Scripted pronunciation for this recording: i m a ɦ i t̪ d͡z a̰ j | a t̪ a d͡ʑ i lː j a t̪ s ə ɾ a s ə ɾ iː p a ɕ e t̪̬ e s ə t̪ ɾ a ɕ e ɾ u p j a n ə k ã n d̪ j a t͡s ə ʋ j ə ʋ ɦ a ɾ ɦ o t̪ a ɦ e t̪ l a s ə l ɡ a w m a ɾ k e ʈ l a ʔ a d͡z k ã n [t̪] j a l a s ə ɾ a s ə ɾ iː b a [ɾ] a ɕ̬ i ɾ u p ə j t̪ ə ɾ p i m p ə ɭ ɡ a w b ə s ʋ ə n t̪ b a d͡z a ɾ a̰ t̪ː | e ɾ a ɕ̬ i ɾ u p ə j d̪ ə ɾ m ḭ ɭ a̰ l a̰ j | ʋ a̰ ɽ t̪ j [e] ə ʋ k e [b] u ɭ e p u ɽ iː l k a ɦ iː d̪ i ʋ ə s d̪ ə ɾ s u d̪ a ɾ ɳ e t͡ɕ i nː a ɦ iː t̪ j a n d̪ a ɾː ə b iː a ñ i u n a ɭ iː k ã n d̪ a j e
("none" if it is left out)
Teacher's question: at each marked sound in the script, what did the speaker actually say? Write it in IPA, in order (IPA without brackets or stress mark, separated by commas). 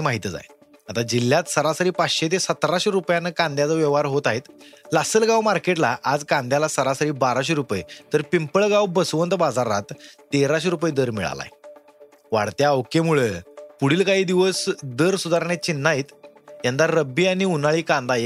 d̪, ɾ, a, m